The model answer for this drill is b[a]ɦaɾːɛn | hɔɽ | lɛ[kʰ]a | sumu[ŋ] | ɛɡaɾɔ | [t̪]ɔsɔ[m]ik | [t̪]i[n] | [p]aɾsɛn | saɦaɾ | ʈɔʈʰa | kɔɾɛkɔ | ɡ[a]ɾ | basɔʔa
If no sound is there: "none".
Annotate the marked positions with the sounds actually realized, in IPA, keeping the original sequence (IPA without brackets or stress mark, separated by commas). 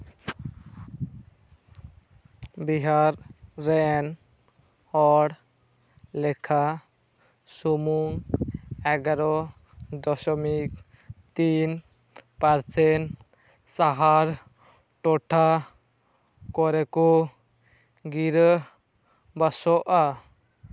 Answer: i, kʰ, ŋ, d̪, m, t̪, n, p, i